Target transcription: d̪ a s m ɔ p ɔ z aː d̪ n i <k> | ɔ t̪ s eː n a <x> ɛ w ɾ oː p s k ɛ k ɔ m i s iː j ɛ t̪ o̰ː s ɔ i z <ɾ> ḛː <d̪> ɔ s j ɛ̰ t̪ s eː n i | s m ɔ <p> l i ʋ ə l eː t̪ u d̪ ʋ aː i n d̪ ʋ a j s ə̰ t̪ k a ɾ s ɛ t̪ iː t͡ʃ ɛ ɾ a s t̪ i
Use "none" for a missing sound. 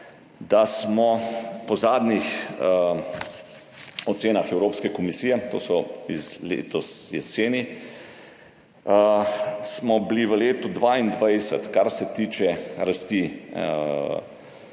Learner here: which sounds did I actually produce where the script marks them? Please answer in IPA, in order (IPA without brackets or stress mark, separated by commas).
x, x, l, t̪, b